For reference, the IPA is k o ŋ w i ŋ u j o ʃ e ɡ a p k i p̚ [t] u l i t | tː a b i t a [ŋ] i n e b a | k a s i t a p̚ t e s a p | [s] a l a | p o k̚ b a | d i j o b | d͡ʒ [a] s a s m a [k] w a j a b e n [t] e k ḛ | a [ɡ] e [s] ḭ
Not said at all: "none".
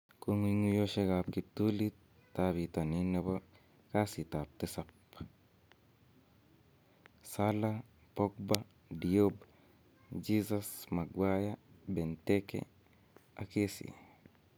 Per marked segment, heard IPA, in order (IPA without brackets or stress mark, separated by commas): t, n, s, i, ɡ, t, k, s